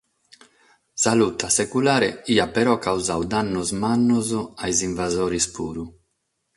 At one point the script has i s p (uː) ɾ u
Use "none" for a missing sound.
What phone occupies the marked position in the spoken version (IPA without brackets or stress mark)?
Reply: uː